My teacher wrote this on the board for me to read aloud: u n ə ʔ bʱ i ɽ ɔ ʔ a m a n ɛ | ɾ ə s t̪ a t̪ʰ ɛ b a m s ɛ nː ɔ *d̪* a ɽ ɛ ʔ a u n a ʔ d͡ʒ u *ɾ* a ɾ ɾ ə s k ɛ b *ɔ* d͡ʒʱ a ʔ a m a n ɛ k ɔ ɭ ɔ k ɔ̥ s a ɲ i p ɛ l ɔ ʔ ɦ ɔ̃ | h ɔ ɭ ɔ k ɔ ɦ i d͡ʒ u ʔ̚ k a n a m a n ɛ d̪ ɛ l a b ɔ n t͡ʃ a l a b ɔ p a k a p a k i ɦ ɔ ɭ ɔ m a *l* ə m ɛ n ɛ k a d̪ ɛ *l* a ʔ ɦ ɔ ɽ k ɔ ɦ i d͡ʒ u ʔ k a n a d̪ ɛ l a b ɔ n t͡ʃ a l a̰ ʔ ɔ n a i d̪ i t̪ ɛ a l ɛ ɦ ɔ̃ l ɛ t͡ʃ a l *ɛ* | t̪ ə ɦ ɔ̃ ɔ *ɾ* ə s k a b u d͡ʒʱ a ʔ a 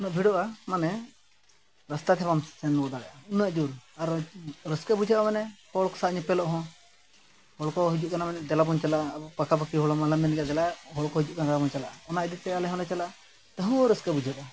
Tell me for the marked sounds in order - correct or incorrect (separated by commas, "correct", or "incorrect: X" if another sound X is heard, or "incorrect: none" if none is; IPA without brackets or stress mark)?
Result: correct, correct, incorrect: u, correct, correct, incorrect: a, correct